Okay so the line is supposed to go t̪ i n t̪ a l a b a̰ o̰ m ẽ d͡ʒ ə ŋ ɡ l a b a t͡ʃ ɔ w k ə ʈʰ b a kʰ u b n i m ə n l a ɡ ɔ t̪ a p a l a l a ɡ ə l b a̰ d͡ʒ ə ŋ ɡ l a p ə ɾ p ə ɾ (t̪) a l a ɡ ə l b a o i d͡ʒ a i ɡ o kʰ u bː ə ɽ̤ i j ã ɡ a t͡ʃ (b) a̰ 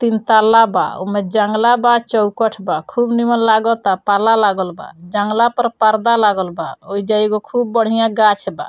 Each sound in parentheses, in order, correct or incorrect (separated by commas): incorrect, correct